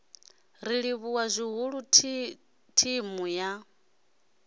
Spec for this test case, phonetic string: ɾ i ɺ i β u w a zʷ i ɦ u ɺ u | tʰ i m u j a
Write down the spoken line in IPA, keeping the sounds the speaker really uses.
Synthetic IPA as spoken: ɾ i ɺ i β u w a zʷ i ɦ u ɺ u | tʰ i m u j a